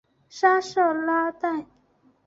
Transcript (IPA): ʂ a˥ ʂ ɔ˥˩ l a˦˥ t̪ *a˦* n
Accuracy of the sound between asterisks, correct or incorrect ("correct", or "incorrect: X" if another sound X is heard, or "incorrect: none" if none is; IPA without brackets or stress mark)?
incorrect: a˥˨